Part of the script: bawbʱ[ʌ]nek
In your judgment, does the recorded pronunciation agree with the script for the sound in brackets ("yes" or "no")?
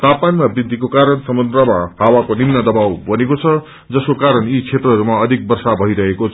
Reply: yes